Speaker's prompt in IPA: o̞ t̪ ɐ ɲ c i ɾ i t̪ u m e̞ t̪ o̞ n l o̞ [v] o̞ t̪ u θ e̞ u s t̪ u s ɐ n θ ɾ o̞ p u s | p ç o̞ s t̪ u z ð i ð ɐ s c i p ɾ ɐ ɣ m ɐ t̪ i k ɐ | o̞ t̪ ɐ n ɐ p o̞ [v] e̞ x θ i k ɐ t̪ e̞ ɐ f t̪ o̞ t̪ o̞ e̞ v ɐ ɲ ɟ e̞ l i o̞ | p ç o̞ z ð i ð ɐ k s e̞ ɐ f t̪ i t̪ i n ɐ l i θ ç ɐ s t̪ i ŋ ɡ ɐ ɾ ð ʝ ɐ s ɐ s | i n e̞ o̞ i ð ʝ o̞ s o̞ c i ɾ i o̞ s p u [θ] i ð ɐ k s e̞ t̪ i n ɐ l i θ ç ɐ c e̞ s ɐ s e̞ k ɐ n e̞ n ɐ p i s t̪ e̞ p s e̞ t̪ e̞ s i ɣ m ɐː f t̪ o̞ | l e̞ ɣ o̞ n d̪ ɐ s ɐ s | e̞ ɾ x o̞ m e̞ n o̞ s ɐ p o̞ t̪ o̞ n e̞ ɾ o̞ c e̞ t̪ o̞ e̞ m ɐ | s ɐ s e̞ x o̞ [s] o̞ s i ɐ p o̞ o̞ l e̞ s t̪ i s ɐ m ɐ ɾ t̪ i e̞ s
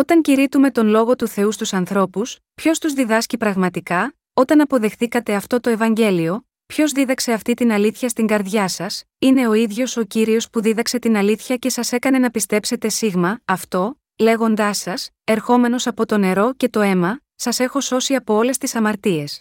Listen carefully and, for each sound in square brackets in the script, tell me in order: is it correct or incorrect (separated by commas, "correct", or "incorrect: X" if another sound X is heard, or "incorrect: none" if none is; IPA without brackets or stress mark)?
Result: incorrect: ɣ, incorrect: ð, incorrect: ð, correct